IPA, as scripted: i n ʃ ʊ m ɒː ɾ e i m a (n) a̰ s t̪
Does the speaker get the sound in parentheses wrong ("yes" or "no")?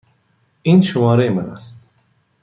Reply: no